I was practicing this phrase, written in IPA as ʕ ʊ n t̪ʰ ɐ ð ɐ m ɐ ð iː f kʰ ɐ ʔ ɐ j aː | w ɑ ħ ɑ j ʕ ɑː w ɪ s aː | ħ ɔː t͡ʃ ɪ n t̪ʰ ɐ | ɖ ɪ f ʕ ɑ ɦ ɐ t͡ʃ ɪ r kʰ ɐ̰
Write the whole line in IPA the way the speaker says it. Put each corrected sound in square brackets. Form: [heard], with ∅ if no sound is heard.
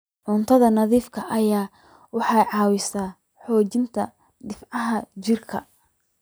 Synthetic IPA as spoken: ʕ ʊ n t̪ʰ ɐ ð ɐ [n] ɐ ð iː f kʰ ɐ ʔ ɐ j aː | w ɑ ħ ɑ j ʕ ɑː w ɪ s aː | ħ ɔː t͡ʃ ɪ n t̪ʰ ɐ | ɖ ɪ f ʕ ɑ ɦ ɐ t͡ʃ ɪ r kʰ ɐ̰